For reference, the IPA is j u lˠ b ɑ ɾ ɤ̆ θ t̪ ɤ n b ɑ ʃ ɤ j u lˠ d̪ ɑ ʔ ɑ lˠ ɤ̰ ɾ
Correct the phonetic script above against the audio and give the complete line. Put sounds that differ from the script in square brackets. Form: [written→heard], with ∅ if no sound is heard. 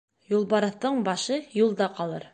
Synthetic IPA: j u lˠ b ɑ ɾ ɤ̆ θ t̪ ɤ [n→ɴ] b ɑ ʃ ɤ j u lˠ d̪ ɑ [ʔ→q] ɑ lˠ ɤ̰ ɾ